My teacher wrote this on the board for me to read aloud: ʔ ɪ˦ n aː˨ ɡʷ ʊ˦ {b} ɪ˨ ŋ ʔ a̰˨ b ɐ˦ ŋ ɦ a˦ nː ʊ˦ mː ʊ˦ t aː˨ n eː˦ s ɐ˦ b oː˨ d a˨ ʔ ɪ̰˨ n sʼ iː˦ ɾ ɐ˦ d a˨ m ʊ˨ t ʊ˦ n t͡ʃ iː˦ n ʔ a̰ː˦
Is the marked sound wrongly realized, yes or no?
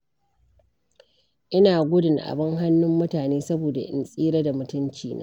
yes